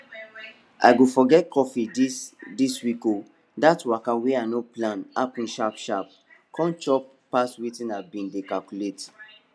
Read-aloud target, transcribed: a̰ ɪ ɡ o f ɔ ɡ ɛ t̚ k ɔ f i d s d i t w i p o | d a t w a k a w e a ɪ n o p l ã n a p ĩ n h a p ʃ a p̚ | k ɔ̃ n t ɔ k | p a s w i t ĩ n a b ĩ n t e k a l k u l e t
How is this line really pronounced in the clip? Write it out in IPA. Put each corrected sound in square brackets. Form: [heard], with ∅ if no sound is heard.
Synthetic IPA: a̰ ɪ ɡ o f ɔ ɡ ɛ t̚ k ɔ f i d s d i [s] w i [k] o | d a t w a k a w e a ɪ n o p l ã n a p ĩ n [ʃ] a p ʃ a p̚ | k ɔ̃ n [t͡ʃ] ɔ [p] | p a s w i t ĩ n a b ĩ n [d] e k a l k u l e t